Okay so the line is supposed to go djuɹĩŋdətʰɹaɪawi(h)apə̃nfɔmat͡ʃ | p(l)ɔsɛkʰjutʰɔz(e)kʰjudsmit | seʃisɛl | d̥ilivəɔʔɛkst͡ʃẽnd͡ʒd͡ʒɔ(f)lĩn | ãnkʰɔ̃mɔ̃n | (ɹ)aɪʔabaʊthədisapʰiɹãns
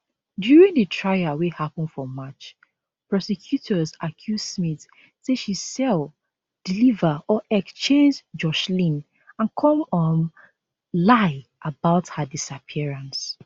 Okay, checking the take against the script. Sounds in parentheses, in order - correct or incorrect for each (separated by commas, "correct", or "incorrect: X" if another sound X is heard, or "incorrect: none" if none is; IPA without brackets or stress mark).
correct, incorrect: ɹ, incorrect: a, incorrect: ʃ, incorrect: l